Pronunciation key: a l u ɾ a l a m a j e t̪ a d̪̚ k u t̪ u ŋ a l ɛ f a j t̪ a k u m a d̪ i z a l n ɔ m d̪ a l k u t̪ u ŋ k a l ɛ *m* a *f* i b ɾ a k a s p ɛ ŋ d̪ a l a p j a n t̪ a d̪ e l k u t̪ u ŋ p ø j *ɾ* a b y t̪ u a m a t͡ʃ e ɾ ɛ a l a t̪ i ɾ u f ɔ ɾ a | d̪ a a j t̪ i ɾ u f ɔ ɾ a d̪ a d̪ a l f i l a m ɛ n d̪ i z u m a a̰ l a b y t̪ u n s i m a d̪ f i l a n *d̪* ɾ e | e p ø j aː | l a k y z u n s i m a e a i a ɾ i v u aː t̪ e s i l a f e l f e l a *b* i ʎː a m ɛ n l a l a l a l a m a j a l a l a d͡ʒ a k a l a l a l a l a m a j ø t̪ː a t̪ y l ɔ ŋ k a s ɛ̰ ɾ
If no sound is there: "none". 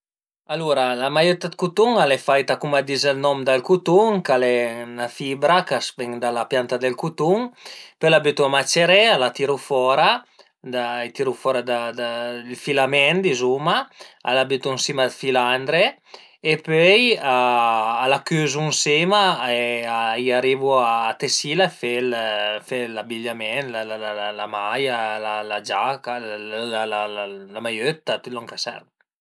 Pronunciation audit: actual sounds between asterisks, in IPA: n, f, l, d̪, b

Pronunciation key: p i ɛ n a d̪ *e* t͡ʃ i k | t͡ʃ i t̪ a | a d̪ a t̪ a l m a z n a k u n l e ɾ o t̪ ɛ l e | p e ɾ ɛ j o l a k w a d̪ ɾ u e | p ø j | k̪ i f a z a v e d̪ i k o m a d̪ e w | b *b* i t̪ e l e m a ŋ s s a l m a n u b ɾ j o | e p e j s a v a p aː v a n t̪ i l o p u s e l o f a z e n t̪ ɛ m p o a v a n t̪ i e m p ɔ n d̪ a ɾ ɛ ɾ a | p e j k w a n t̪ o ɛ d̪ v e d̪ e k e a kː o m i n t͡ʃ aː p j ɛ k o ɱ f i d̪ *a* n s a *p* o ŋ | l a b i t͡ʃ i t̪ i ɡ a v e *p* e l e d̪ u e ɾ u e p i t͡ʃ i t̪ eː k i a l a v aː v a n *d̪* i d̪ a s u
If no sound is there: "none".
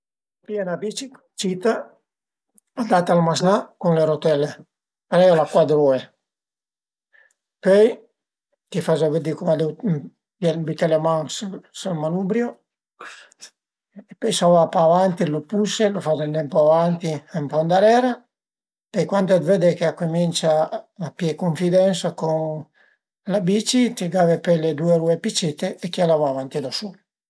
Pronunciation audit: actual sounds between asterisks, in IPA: i, b, ɛ, k, p, t̪

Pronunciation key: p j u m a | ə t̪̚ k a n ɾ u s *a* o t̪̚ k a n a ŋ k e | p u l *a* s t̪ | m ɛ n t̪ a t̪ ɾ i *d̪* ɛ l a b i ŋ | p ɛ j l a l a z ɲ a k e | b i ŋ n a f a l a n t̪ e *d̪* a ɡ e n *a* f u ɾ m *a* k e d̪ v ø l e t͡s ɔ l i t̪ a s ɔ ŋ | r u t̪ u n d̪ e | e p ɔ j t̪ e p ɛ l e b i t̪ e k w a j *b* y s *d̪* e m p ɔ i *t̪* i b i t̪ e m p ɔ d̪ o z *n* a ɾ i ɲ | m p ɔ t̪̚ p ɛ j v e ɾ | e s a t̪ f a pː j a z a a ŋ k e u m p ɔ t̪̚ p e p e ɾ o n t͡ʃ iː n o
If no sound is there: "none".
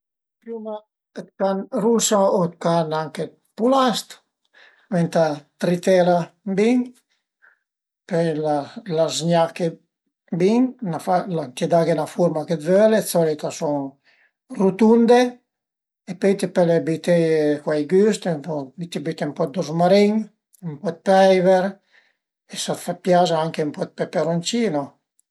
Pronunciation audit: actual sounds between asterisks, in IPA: a, a, t̪, d̪, a, a, ɡ, t̪, t̪, m

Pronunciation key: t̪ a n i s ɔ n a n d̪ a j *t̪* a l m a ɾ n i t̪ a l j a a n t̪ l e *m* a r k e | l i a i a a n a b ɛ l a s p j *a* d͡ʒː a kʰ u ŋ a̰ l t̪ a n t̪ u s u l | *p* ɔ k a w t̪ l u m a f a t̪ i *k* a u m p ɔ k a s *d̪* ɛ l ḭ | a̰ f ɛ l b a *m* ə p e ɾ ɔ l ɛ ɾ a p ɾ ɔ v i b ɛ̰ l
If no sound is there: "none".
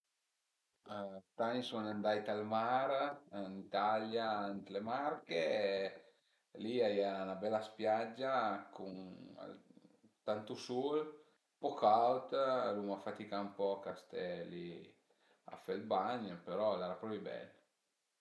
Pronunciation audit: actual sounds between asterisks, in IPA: t̪, m, a, p, k, t̪, ɲ

